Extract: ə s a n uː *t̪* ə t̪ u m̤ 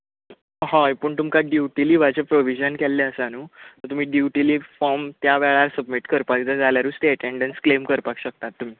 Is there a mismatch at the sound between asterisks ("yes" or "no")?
no